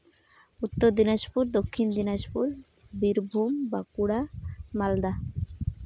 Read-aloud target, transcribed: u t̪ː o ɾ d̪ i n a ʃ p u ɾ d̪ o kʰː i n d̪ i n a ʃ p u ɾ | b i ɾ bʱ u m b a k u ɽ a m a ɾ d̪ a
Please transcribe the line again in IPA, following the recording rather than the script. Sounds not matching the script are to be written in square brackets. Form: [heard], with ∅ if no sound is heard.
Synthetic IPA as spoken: u t̪ː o ɾ d̪ i n a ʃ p u ɾ d̪ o kʰː i n d̪ i n a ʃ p u ɾ | b i ɾ bʱ u m b a k u ɽ a m a [l] d̪ a